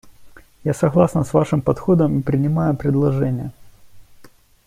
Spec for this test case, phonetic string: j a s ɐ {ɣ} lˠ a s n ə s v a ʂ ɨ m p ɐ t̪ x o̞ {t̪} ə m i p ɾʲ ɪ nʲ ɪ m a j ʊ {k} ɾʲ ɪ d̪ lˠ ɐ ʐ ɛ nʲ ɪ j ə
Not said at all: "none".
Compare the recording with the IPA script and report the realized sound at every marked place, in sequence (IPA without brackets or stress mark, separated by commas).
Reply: ɣ, d̪, p